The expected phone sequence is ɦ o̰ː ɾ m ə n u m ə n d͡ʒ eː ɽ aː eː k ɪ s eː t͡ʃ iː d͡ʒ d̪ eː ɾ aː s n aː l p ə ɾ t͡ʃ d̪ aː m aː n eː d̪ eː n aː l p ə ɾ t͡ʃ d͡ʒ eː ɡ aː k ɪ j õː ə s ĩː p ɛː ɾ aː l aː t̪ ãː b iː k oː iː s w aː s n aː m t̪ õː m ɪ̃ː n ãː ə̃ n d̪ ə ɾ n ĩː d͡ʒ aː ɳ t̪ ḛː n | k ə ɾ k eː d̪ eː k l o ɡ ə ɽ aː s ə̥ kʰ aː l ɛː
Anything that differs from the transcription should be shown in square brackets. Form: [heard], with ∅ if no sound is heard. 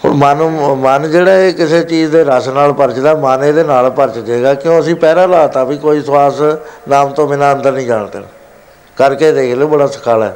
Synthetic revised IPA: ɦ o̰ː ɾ m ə n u m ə n d͡ʒ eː ɽ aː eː k ɪ s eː t͡ʃ iː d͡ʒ d̪ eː ɾ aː s n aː l p ə ɾ t͡ʃ d̪ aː m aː n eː d̪ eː n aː l p ə ɾ t͡ʃ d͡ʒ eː ɡ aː k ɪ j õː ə s ĩː p ɛː ɾ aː l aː t̪ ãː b iː k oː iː s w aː s n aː m t̪ õː m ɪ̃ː n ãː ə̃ n d̪ ə ɾ n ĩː d͡ʒ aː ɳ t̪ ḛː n | k ə ɾ k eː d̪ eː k l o [b] ə ɽ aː s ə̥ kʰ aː l ɛː